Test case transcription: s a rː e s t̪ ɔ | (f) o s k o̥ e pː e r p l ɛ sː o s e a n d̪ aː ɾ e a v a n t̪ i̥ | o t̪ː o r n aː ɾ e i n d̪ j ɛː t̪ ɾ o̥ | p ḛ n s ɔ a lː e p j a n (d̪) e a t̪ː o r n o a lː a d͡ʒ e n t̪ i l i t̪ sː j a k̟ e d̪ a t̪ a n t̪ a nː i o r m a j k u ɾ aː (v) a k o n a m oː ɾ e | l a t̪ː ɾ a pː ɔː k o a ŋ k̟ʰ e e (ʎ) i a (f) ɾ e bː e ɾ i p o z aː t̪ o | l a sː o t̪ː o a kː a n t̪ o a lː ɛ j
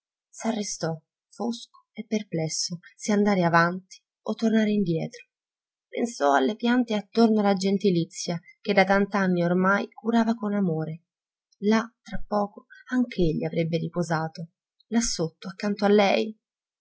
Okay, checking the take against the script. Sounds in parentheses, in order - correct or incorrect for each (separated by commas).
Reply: correct, incorrect, correct, incorrect, incorrect